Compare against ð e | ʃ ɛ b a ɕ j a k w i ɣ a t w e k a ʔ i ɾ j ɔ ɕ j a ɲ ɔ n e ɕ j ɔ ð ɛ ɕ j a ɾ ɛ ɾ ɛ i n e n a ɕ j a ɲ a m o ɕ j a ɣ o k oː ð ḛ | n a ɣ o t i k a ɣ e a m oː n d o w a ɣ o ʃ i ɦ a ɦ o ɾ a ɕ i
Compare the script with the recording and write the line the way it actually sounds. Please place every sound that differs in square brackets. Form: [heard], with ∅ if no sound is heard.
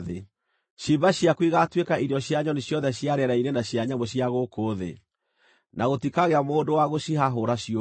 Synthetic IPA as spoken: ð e | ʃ [i] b a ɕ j a k w i ɣ a t w e k a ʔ i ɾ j ɔ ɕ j a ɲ ɔ n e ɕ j ɔ ð ɛ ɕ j a ɾ ɛ ɾ [a] i n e n a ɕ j a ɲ a m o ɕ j a ɣ o k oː ð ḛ | n a ɣ o t i k a ɣ e a m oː n d o w a ɣ o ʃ i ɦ a ɦ o ɾ a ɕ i